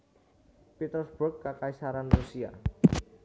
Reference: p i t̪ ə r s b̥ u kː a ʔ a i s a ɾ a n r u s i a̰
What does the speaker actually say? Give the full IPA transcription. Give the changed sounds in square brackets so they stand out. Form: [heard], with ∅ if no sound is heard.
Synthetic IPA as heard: p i t̪ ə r s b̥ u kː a [k] a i s a ɾ a n r u s i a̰

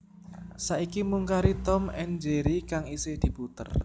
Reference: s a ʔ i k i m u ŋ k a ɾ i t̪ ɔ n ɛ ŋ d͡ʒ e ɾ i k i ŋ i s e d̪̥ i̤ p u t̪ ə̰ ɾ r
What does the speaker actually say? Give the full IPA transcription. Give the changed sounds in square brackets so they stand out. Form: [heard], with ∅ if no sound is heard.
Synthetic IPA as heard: s a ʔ i k i m u ŋ k a ɾ i t̪ ɔ [m] ɛ [n] d͡ʒ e ɾ i k [a] ŋ i s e d̪̥ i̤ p u t̪ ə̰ [∅] r

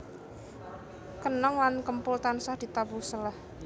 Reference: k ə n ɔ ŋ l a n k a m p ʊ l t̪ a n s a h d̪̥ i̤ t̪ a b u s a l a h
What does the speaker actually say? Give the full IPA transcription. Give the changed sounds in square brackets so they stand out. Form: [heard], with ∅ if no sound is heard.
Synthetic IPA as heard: k ə n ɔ ŋ l a n k [ə] m p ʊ l t̪ a n s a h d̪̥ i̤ t̪ a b u s [ə] l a h

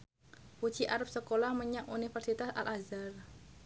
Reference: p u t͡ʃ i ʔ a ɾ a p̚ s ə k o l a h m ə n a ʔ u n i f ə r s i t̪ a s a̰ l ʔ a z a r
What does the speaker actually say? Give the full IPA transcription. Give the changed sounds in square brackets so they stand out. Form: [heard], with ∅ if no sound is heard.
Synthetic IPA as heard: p u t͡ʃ i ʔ a ɾ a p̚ s ə k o l a h m ə [ɲ] a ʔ u n i f ə r s i t̪ a s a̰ l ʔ a z a r

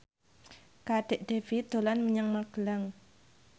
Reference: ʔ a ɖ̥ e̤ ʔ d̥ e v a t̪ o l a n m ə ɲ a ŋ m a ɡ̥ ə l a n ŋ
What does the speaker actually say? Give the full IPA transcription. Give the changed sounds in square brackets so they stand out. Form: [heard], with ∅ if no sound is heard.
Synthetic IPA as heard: [k] a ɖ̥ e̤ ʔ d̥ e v [i] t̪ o l a n m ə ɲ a ŋ m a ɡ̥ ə l a [∅] ŋ

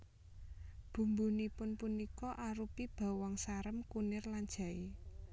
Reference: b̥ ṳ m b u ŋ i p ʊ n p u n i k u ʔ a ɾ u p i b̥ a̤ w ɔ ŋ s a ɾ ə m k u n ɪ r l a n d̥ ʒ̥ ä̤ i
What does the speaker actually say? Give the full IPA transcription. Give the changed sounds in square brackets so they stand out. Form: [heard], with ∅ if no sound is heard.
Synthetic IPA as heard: b̥ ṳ m b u [n] i p ʊ n p u n i k [ɔ] ʔ a ɾ u p i b̥ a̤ w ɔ ŋ s a ɾ ə m k u n ɪ r l a n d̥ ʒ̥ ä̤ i

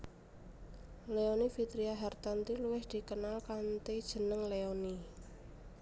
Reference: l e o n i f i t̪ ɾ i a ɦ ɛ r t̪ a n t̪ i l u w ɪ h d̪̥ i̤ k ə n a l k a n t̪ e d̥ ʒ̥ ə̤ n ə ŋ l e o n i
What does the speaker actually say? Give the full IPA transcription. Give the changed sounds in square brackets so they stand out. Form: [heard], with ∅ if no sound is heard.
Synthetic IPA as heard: l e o n i f i t̪ ɾ i a ɦ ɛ r t̪ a n t̪ i l u w ɪ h d̪̥ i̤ k ə n a l k a n t̪ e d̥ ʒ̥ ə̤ n ə ŋ l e o n i

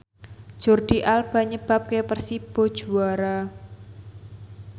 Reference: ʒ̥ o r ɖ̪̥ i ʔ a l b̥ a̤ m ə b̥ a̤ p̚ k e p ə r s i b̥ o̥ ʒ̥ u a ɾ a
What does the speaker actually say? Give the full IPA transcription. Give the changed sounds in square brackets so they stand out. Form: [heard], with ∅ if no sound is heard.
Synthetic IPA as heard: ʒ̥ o r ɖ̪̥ i ʔ a l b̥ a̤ [ɲ] ə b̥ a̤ p̚ k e p ə r s i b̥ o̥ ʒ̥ u a ɾ a

